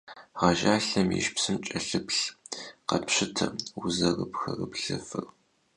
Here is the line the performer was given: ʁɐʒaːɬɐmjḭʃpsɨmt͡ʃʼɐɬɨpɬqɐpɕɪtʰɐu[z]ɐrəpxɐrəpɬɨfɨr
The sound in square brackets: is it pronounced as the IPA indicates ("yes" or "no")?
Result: yes